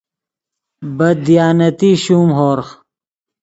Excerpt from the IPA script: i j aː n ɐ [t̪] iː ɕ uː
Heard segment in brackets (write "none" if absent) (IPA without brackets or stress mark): t̪